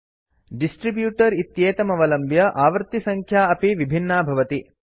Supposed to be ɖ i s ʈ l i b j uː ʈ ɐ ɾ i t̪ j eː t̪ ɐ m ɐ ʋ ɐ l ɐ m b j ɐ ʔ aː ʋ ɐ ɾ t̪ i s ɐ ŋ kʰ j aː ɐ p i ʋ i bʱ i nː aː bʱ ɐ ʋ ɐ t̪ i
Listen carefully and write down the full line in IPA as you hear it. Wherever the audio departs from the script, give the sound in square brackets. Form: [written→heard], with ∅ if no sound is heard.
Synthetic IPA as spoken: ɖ i s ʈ [l→ɾ] i b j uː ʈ ɐ ɾ i t̪ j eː t̪ ɐ m ɐ ʋ ɐ l ɐ m b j ɐ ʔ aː ʋ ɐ ɾ t̪ i s ɐ ŋ kʰ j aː ɐ p i ʋ i bʱ i nː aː bʱ ɐ ʋ ɐ t̪ i